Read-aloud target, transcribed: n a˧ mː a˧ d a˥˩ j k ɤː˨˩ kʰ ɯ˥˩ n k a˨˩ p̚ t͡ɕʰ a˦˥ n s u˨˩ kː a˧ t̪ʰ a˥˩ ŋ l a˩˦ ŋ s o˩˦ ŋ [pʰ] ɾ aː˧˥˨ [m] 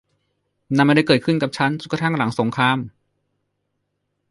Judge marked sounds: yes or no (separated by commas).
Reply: no, yes